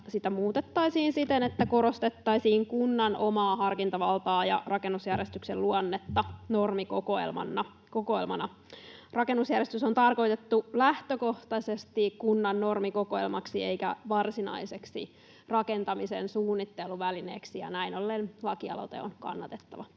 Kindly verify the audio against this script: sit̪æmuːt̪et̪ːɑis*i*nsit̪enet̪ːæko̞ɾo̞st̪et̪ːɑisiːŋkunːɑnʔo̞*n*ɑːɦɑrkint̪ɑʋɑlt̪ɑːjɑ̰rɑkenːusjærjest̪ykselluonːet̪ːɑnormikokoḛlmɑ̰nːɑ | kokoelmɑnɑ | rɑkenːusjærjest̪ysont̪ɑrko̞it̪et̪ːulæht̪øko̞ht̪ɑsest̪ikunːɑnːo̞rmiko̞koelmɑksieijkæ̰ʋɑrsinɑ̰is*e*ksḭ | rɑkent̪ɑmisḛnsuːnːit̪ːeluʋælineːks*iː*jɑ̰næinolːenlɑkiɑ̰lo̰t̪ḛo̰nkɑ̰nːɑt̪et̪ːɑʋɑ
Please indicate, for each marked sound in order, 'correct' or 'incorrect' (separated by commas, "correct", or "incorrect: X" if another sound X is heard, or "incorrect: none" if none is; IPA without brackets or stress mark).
incorrect: iː, incorrect: m, correct, incorrect: i